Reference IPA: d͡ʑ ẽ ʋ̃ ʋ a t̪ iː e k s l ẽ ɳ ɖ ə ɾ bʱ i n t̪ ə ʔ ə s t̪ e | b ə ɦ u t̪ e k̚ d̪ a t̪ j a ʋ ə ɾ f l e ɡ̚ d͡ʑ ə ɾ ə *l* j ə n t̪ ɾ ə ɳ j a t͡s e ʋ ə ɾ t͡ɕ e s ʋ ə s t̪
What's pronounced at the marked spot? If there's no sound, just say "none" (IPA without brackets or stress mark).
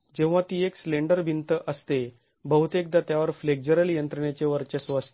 l